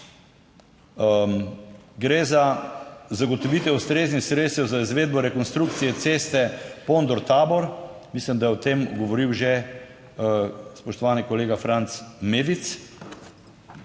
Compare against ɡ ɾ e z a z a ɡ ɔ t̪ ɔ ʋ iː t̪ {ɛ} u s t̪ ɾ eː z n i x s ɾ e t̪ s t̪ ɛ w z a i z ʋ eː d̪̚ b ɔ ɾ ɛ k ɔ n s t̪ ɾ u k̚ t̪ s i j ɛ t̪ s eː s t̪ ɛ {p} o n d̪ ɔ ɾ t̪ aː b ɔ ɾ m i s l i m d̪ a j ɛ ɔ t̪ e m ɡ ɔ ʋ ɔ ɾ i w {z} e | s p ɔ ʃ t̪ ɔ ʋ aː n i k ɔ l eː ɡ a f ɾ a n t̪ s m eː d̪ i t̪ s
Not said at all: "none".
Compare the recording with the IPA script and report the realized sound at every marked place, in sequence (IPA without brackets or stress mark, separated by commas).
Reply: ɛ, p, ʒ